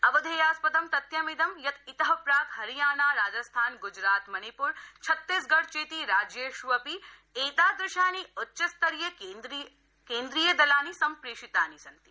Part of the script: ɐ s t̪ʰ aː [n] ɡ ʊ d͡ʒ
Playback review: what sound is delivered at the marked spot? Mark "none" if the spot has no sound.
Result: n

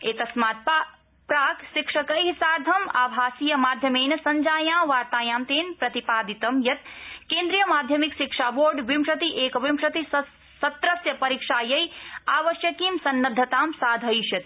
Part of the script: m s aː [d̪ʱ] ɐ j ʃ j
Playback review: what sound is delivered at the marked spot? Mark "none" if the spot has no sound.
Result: d̪ʱ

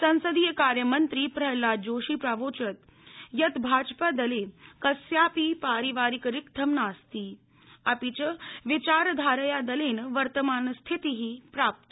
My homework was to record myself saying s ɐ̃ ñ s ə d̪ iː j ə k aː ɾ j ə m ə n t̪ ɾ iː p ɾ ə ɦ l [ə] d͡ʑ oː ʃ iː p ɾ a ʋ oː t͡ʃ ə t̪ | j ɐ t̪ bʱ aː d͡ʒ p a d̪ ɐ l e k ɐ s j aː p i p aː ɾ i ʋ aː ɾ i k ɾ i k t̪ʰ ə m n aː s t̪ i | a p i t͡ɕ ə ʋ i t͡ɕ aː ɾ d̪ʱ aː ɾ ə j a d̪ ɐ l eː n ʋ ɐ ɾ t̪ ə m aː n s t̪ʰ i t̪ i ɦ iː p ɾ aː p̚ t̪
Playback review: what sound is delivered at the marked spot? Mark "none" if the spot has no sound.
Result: a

